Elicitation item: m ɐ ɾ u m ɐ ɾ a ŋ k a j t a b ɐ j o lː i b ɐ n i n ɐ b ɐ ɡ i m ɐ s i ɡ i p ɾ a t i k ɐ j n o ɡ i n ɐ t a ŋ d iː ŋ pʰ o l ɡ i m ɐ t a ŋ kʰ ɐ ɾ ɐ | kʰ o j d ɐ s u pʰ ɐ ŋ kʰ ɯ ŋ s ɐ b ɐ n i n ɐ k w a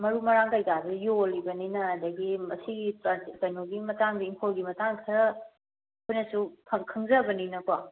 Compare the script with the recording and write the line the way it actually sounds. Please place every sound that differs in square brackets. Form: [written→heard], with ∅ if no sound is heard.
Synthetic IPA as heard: m ɐ ɾ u m ɐ ɾ a ŋ k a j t a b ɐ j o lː i b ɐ n i n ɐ [b→d] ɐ ɡ i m ɐ s i ɡ i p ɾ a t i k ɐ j n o ɡ i [n→m] ɐ t a ŋ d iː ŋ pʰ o l ɡ i m ɐ t a ŋ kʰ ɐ ɾ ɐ | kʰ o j [d→n] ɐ s u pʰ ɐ ŋ kʰ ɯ ŋ [s→z] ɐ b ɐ n i n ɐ k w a